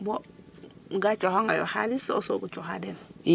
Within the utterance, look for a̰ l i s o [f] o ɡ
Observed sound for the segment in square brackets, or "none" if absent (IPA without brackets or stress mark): s